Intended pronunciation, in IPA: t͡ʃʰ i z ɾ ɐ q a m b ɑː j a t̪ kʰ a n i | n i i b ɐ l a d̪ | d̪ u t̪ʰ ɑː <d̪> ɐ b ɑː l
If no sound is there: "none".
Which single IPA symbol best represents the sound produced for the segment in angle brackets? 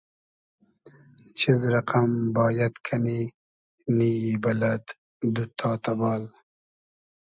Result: t̪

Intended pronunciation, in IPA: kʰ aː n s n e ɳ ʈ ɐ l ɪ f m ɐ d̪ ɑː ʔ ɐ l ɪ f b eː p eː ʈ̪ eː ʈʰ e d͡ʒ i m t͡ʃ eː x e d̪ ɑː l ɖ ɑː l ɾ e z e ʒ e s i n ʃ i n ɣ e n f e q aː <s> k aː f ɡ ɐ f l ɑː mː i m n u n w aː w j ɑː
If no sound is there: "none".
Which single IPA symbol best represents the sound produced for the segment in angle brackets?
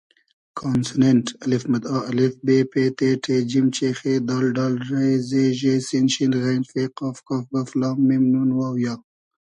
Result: f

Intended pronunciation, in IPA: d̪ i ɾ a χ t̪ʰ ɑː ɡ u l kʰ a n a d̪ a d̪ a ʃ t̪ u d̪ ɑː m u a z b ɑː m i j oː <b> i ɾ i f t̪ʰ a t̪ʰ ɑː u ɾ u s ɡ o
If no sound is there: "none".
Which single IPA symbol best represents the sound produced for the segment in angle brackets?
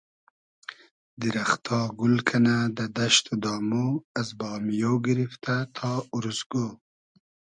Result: ɡ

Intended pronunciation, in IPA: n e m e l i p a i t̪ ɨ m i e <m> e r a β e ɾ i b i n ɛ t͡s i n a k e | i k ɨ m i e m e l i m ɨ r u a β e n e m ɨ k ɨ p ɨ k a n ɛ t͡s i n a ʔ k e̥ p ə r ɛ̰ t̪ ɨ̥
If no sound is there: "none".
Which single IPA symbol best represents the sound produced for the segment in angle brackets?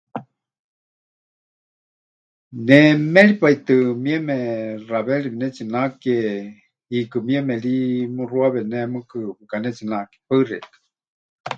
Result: m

